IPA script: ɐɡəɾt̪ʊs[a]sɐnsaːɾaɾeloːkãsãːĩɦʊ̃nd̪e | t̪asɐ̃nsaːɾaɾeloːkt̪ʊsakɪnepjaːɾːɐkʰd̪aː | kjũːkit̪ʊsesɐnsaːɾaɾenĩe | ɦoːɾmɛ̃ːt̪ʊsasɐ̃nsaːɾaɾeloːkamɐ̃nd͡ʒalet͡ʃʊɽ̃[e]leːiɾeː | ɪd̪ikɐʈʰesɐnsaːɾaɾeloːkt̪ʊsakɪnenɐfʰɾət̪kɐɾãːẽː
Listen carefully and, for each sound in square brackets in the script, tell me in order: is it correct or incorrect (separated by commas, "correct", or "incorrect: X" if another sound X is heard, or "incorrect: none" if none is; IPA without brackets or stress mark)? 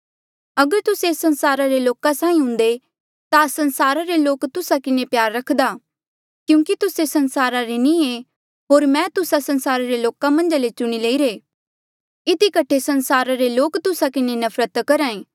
incorrect: e, incorrect: i